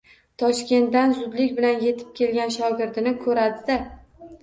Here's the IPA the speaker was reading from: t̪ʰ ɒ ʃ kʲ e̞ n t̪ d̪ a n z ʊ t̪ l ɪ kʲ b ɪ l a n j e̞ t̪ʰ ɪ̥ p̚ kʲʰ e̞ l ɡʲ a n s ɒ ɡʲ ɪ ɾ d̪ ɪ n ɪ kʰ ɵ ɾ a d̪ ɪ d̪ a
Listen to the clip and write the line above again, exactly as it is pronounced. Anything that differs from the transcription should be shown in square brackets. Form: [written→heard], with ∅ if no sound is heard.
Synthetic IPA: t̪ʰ ɒ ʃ kʲ e̞ n t̪ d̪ a n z ʊ [t̪→d̪] l ɪ kʲ b ɪ l a n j e̞ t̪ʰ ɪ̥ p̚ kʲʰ e̞ l ɡʲ a n [s→ʃ] ɒ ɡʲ ɪ ɾ d̪ ɪ n ɪ kʰ ɵ ɾ a d̪ ɪ d̪ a